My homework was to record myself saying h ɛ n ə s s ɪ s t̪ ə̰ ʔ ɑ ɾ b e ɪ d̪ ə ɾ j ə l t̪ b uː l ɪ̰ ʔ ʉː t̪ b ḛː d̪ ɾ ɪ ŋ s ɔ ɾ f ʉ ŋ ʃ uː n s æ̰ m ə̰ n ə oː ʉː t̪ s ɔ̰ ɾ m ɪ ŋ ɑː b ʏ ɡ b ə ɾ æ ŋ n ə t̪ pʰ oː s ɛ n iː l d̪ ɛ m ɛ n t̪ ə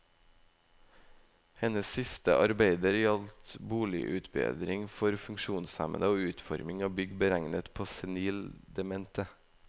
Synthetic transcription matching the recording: h ɛ n ə s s ɪ s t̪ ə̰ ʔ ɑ ɾ b e ɪ d̪ ə ɾ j ɑ l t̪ b uː l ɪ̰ ʔ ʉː t̪ b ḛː d̪ ɾ ɪ ŋ f ɔ ɾ f ʉ ŋ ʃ uː n s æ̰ m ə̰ n ə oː ʉː t̪ f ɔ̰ ɾ m ɪ ŋ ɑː b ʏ ɡ b ə ɾ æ ŋ n ə t̪ pʰ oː s ɛ n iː l d̪ ɛ m ɛ n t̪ ə